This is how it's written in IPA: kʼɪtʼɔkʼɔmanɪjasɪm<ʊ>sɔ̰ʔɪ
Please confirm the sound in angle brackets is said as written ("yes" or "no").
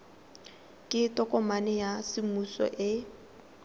no